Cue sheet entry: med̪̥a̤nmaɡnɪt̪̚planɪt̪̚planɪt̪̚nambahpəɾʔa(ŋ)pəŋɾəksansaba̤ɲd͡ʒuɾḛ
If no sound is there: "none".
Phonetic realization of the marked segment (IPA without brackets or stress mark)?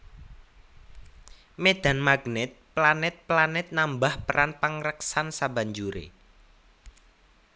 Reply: n